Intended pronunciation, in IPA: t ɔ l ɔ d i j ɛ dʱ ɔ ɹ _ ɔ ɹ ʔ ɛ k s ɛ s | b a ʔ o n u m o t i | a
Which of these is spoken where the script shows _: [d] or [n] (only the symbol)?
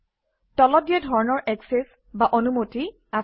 n